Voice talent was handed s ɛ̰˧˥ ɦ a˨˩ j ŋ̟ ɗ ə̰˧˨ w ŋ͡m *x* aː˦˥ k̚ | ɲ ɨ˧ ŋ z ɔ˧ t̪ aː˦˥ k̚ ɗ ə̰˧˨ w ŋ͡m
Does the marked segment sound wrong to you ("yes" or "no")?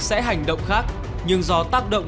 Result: no